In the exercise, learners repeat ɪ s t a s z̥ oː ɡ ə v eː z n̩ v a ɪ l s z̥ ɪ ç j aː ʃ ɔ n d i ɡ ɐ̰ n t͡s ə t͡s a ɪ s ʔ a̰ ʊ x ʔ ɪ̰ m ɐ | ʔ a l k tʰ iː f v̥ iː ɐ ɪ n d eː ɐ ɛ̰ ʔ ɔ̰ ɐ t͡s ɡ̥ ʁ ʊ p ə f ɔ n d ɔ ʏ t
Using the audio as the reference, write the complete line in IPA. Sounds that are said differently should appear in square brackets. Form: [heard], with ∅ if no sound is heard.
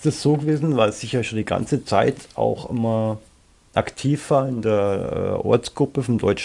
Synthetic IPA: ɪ s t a s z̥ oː ɡ ə v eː z n̩ v a ɪ l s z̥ ɪ ç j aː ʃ [o] n d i ɡ [a̰] n t͡s ə t͡s a ɪ [t] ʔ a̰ ʊ x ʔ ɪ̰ m ɐ | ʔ a [∅] k tʰ iː f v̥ [aː] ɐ ɪ n d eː ɐ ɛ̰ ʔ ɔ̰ ɐ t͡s ɡ̥ ʁ ʊ p ə f ɔ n d ɔ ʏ [t͡ʃ]